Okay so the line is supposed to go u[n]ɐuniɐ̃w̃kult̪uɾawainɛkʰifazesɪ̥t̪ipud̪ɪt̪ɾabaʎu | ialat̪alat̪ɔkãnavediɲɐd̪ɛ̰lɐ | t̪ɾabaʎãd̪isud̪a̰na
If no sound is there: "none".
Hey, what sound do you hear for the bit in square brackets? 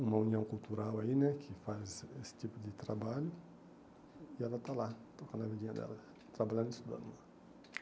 m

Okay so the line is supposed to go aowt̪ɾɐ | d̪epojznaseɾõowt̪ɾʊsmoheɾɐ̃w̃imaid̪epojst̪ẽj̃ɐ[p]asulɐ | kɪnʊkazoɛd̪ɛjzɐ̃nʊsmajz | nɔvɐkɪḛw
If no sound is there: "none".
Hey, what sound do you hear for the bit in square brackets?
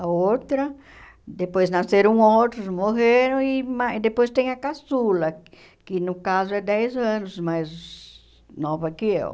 k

